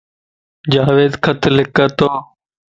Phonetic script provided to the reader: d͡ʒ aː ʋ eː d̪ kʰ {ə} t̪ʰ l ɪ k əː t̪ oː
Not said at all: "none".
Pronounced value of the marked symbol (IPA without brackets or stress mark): ə